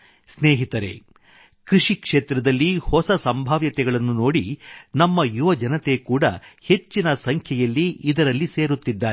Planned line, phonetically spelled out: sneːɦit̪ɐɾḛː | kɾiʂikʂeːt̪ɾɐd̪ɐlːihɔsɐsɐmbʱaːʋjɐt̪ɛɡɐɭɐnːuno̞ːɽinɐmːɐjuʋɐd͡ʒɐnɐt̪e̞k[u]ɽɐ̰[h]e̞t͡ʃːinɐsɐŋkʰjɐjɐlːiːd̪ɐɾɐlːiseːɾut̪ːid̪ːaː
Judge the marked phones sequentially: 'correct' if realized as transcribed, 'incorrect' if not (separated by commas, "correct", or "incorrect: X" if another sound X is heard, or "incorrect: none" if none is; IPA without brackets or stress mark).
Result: incorrect: uː, correct